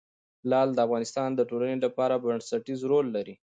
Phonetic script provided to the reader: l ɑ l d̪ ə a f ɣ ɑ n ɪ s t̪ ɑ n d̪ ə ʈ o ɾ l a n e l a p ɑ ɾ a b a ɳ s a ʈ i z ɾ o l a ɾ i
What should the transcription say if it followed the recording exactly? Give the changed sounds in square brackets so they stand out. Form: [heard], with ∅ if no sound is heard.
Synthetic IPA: l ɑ l d̪ ə a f ɣ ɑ n ɪ s t̪ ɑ n d̪ ə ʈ o [∅] l a n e l a p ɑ ɾ a b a ɳ s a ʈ i z ɾ o [lː] a ɾ i